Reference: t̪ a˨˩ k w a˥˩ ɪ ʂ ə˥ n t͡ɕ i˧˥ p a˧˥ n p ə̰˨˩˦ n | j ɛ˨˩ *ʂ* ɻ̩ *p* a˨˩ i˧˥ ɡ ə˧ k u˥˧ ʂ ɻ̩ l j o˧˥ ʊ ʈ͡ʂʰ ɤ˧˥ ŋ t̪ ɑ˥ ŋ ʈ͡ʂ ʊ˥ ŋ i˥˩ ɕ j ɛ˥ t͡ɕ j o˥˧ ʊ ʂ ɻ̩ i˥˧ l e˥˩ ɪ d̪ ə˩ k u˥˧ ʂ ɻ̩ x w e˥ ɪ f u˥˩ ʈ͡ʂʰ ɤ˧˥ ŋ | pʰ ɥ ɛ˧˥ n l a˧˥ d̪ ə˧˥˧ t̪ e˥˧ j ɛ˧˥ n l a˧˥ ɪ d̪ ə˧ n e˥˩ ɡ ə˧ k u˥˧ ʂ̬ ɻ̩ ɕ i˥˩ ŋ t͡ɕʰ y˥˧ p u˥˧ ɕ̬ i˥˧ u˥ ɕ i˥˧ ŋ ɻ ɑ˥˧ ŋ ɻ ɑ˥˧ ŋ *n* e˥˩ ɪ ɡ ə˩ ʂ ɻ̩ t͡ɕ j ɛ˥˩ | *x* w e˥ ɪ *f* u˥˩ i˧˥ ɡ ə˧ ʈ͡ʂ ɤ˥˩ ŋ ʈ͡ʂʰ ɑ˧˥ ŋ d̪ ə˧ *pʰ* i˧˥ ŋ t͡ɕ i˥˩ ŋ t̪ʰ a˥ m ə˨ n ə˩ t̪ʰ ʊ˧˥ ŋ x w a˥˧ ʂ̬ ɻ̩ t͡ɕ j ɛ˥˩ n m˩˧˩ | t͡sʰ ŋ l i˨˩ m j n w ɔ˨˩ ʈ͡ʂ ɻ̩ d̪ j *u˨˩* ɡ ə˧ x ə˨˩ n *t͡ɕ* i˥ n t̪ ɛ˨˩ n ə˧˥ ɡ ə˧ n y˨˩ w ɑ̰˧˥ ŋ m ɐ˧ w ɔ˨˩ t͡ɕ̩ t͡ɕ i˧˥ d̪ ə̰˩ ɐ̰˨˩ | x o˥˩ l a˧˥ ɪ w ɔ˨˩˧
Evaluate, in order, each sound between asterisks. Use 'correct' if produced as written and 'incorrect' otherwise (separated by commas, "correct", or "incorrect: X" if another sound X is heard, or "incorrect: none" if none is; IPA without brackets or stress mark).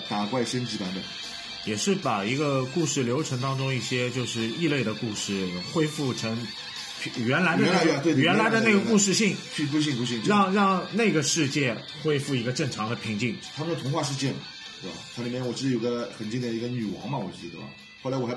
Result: correct, correct, correct, correct, correct, correct, incorrect: o˨˩, correct